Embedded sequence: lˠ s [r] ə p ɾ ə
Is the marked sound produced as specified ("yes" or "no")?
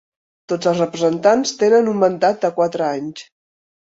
yes